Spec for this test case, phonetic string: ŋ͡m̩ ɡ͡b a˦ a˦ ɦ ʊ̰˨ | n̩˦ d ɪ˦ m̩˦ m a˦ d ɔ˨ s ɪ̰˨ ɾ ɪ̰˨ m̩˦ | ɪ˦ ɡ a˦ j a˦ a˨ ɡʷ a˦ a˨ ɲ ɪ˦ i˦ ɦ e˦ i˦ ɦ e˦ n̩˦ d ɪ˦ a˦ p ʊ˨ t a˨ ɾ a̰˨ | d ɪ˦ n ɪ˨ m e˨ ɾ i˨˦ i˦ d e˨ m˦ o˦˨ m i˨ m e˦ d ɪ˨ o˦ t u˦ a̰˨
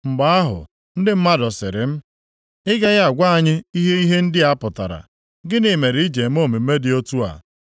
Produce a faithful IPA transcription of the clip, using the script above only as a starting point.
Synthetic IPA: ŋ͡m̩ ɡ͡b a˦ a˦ ɦ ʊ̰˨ | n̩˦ d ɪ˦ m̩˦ m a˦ d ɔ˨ s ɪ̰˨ ɾ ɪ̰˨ m̩˦ | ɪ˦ ɡ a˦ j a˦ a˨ ɡʷ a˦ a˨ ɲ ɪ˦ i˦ ɦ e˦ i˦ ɦ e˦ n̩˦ d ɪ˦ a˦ p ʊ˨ t a˨ ɾ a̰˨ | ɡ ɪ˦ n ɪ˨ m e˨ ɾ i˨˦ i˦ d͡ʒ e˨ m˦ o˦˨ m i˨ m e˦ d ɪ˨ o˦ t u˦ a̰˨